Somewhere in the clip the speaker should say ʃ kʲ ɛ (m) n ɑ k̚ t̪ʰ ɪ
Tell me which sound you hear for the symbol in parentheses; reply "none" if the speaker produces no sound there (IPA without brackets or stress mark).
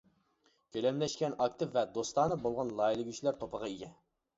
none